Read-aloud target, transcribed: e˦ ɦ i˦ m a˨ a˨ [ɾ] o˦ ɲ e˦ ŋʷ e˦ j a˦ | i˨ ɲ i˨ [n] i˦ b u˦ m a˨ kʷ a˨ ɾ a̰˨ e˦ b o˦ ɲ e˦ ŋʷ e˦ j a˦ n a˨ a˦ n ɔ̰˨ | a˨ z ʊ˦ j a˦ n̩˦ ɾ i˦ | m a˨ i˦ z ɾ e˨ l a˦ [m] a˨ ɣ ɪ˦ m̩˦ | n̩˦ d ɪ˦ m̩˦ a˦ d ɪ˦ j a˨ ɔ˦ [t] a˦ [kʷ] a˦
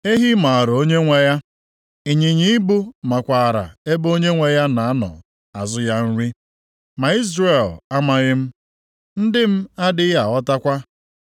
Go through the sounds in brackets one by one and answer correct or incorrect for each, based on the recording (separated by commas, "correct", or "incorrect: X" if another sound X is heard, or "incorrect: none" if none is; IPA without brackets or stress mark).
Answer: correct, incorrect: ɲ, correct, correct, correct